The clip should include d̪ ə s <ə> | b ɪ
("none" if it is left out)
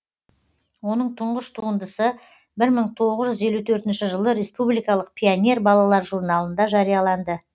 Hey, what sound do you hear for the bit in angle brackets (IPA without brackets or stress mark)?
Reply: ə